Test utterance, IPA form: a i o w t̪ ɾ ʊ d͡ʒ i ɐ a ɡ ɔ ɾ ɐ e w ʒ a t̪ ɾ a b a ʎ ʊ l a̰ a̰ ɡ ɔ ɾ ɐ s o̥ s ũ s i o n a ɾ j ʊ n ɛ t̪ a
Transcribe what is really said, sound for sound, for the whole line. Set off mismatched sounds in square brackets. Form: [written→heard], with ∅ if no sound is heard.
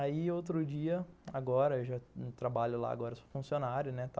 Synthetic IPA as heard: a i o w t̪ ɾ ʊ d͡ʒ i ɐ a ɡ ɔ ɾ ɐ e w ʒ a t̪ ɾ a b a ʎ ʊ l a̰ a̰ ɡ ɔ ɾ ɐ s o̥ [s→f] ũ s i o n a ɾ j ʊ n ɛ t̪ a